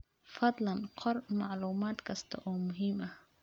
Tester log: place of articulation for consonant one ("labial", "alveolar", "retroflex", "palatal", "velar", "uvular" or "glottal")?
labial